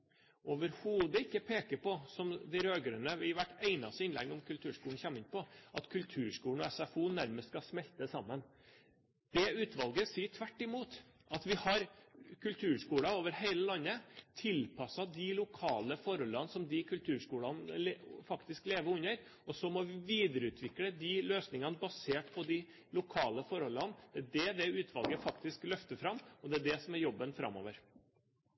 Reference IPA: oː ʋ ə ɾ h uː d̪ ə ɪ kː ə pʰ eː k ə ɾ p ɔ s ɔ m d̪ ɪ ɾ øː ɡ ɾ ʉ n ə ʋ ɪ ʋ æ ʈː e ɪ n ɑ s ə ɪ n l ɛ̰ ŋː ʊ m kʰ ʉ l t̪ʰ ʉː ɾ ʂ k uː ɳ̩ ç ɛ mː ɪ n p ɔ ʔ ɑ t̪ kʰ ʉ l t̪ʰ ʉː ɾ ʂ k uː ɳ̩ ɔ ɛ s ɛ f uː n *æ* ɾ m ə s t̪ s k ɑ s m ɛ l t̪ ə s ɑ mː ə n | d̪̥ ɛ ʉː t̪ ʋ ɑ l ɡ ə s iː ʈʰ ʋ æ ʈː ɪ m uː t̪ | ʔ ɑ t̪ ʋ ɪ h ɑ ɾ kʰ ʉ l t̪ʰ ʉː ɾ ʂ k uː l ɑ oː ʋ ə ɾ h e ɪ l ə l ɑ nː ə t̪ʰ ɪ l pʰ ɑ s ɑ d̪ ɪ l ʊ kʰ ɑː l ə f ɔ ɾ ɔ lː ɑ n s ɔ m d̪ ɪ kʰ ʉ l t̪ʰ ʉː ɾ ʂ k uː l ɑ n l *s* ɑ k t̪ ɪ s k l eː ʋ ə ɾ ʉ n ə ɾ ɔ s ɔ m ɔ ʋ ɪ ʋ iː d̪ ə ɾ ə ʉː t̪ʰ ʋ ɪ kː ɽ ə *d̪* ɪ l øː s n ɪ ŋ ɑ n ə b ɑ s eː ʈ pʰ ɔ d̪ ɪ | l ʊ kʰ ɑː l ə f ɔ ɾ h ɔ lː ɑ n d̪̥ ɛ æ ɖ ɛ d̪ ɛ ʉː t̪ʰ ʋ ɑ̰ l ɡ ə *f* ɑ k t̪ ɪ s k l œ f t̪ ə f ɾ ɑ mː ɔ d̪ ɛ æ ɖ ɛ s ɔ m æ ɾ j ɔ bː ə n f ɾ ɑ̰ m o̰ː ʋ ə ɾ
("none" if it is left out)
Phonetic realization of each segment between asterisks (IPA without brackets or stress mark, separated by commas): æ, f, d̪, f